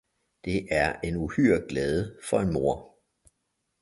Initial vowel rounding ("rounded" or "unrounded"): unrounded